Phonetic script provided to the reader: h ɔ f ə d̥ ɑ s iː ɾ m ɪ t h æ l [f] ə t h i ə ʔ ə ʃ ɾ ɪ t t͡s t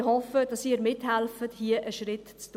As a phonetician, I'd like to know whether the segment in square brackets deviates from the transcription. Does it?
no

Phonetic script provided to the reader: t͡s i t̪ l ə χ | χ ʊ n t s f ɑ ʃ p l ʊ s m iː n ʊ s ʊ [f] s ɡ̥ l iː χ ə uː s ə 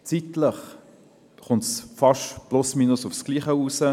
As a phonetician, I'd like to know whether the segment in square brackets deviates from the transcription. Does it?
no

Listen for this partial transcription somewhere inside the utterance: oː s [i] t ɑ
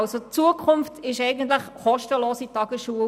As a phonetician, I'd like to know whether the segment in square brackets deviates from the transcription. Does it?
no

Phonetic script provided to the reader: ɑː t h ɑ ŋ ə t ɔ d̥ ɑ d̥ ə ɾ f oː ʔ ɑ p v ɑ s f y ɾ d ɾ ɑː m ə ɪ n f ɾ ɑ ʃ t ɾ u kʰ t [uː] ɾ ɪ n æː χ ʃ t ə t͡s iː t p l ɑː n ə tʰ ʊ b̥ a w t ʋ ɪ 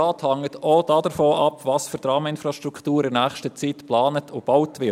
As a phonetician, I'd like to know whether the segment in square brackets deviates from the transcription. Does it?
no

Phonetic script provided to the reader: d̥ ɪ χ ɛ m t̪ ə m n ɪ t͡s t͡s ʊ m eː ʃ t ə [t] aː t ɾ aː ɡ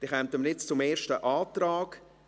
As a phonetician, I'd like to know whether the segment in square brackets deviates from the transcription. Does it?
yes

